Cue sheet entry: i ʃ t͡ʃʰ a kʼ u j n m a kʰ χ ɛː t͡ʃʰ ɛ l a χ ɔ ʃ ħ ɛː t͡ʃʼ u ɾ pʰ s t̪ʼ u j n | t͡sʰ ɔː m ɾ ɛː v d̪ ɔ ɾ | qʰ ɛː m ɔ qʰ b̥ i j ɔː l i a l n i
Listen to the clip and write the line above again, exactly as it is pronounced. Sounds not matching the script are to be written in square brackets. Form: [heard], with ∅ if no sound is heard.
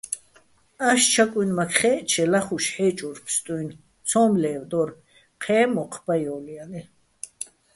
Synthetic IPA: [a] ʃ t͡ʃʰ a kʼ u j n m a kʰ χ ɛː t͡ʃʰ ɛ l a χ [u] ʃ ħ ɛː t͡ʃʼ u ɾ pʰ s t̪ʼ u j n | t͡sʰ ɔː m [l] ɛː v d̪ ɔ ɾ | qʰ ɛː m ɔ qʰ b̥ [a] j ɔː l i a [∅] n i